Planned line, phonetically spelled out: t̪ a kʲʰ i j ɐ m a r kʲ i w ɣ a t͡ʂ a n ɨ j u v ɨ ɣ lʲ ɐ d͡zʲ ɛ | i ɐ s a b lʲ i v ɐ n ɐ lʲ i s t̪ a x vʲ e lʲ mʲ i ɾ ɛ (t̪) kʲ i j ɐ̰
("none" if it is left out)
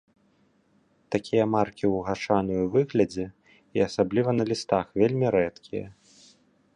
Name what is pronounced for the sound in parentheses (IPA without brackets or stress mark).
t̪